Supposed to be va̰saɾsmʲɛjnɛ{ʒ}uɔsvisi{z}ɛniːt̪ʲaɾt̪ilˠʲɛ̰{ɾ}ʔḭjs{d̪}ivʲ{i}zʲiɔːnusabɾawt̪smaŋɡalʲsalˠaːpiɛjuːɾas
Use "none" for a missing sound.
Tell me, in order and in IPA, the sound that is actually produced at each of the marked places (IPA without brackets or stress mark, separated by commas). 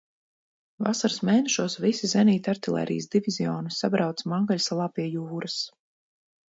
ʃ, z, ɾ, d̪, i